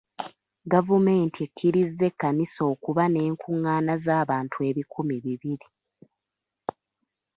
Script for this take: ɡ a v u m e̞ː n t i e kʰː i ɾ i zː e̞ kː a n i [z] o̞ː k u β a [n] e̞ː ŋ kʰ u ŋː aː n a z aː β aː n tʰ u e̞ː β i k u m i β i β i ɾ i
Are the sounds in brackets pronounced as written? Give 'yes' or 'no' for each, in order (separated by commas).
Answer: no, yes